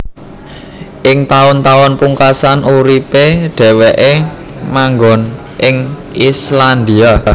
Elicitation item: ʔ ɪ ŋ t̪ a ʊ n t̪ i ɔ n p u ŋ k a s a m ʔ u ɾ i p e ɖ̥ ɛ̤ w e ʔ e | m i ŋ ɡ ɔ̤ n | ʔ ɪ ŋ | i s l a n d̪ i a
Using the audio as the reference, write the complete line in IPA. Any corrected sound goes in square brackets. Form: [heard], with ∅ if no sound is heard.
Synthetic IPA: ʔ ɪ ŋ t̪ a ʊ n t̪ [a] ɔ n p u ŋ k a s a [n] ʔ u ɾ i p e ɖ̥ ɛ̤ w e ʔ e | m [a] ŋ ɡ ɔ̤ n | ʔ ɪ ŋ | i s l a n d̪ i a